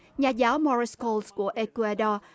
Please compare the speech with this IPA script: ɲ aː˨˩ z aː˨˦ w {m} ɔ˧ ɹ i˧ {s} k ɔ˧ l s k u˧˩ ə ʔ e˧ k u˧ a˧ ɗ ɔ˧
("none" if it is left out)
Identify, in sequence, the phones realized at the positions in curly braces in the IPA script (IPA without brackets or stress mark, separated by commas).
m, s